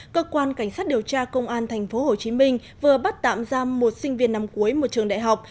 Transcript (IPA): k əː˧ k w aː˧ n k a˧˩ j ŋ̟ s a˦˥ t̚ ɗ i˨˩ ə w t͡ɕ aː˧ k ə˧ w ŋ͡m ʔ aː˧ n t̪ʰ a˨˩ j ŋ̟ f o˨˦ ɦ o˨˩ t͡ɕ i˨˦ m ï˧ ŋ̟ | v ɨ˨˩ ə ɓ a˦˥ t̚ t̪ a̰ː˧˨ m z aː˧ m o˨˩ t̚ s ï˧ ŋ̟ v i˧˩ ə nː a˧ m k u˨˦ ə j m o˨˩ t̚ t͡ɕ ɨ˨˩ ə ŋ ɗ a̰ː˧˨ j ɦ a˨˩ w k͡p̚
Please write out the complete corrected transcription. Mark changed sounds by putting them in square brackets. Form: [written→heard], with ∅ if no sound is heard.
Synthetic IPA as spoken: k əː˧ k w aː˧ n k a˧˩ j ŋ̟ s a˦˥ t̚ ɗ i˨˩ ə w t͡ɕ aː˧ k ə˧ w ŋ͡m ʔ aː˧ n t̪ʰ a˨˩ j ŋ̟ f o˨˦ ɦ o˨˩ t͡ɕ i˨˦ m ï˧ ŋ̟ | v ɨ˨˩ ə ɓ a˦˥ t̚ t̪ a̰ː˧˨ m z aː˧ m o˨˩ t̚ s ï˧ ŋ̟ v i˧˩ ə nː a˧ m k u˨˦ ə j m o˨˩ t̚ t͡ɕ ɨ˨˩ ə ŋ ɗ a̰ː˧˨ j ɦ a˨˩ w k͡p̚